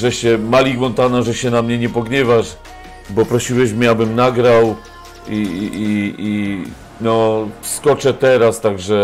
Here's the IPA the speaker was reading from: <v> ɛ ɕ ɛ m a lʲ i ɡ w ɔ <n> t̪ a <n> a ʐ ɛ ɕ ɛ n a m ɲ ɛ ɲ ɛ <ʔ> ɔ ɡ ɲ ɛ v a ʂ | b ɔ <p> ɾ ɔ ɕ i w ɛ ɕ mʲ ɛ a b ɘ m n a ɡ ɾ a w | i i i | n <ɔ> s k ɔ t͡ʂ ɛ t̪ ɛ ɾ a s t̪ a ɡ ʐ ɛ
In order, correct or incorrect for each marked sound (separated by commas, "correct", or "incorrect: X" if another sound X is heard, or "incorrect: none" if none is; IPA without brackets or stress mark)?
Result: incorrect: ʐ, correct, correct, incorrect: p, correct, correct